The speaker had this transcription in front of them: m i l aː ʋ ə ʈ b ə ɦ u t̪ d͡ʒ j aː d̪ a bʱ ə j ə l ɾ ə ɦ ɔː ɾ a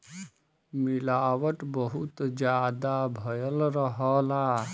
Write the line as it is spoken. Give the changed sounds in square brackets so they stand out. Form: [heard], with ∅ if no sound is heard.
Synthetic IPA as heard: m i l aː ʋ ə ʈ b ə ɦ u t̪ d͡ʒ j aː d̪ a bʱ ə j ə l ɾ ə ɦ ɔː [l] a

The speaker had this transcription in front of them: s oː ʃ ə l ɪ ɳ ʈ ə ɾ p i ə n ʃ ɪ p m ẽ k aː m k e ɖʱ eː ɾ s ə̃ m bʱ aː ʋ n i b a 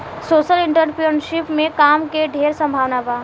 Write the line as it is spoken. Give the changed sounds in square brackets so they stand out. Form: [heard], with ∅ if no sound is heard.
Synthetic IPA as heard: s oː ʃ ə l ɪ ɳ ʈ ə ɾ p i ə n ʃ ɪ p m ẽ k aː m k e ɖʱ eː ɾ s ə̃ m bʱ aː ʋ n [a] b a

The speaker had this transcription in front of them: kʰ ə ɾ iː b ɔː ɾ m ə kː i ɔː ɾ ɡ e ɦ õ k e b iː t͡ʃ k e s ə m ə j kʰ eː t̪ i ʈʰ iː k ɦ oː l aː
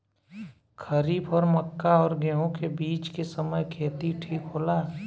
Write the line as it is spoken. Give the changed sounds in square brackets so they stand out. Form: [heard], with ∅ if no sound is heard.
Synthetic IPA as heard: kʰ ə ɾ iː b ɔː ɾ m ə kː [a] ɔː ɾ ɡ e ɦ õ k e b iː t͡ʃ k e s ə m ə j kʰ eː t̪ i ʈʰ iː k ɦ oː l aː

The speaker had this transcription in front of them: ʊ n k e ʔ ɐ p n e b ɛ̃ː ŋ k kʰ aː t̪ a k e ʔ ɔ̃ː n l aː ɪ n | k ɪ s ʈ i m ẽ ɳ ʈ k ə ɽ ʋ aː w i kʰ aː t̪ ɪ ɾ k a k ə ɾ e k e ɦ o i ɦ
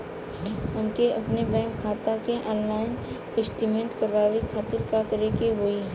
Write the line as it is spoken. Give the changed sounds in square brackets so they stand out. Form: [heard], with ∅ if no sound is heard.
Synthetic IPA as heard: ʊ n k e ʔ ɐ p n e b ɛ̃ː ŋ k kʰ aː t̪ a k e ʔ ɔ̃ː n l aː ɪ n | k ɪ s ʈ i m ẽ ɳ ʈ k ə [ɾ] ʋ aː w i kʰ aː t̪ ɪ ɾ k a k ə ɾ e k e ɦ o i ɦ

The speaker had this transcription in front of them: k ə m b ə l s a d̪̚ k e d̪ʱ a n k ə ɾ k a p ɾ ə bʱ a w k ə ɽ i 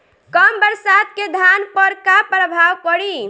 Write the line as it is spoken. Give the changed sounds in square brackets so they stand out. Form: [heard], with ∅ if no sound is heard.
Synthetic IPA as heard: k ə m b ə [ɾ] s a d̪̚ k e d̪ʱ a n [p] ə ɾ k a p ɾ ə bʱ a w k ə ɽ i

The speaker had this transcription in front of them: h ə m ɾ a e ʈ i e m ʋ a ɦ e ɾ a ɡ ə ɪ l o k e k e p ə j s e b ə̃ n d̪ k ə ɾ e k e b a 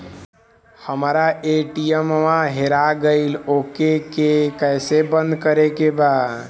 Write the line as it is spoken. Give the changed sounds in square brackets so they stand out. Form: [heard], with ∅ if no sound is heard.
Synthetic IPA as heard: h ə m ɾ a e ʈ i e m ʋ a ɦ e ɾ a ɡ ə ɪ l o k e k e [k] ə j s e b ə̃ n d̪ k ə ɾ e k e b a

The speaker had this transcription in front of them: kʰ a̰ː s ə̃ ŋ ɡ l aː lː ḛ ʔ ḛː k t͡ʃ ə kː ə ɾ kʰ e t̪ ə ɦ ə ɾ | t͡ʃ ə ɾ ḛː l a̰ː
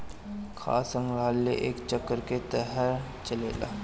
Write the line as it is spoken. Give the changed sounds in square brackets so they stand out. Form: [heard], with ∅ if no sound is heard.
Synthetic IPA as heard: kʰ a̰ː s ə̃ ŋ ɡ [ɾ] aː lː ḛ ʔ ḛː k t͡ʃ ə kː ə ɾ [k] e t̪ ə ɦ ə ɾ | t͡ʃ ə [l] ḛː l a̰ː

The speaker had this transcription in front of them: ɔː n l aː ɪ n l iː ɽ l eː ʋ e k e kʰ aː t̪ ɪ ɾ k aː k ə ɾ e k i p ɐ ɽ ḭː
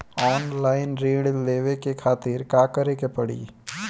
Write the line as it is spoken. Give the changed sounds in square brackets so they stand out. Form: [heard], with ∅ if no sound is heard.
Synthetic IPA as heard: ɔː n l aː ɪ n [ɾ] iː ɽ l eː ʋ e k e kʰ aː t̪ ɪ ɾ k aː k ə ɾ e k [e] p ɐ ɽ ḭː

